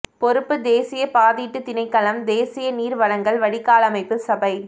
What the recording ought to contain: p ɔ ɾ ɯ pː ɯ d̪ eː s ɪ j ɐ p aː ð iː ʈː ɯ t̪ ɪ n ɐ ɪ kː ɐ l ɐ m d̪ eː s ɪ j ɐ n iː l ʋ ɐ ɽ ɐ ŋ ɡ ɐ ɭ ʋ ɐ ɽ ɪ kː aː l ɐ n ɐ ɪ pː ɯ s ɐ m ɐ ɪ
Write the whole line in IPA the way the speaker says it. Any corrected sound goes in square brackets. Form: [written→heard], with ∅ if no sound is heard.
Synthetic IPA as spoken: p ɔ ɾ ɯ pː ɯ d̪ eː s ɪ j ɐ p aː ð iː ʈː ɯ t̪ ɪ n ɐ ɪ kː ɐ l ɐ m d̪ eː s ɪ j ɐ n iː [l→ɾ] ʋ ɐ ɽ ɐ ŋ ɡ ɐ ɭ ʋ ɐ ɽ ɪ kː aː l ɐ [n→m] ɐ ɪ pː ɯ s ɐ [m→b] ɐ ɪ